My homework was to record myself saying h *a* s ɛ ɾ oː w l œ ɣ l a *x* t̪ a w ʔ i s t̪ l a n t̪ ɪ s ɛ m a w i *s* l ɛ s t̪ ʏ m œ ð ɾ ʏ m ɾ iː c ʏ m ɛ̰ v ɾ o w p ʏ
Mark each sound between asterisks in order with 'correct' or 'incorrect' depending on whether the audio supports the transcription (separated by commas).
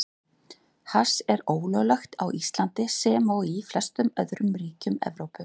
correct, correct, incorrect